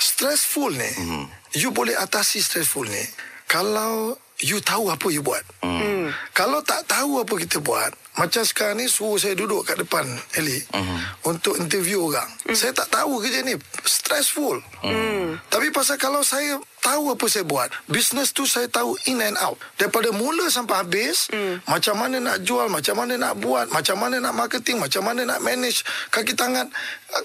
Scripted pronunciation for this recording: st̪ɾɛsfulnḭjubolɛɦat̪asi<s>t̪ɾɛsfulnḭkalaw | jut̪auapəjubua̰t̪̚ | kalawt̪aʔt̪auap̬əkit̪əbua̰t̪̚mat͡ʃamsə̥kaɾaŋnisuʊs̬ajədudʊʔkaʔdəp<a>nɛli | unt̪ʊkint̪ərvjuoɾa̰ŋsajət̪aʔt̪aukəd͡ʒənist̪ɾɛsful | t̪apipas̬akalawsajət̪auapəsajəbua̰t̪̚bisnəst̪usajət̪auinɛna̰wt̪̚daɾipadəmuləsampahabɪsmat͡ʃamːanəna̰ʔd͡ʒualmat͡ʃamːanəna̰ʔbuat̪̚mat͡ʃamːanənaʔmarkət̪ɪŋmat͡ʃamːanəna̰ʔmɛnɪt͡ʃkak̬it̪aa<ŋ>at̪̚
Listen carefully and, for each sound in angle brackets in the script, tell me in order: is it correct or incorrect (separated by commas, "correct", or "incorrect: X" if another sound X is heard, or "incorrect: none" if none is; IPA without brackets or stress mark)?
correct, correct, correct